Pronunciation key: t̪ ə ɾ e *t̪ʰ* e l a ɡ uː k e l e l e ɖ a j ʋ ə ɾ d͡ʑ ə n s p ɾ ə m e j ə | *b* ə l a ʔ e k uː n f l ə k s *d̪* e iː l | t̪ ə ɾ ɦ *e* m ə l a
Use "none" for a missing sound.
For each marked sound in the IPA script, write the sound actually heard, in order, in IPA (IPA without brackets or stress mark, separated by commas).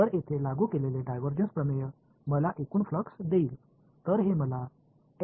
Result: t̪ʰ, m, d̪, e